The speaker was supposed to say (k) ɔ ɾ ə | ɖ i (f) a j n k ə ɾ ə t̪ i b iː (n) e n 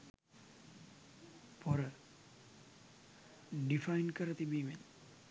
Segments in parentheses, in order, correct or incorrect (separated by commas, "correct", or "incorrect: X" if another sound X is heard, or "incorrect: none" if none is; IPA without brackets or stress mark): incorrect: p, correct, incorrect: m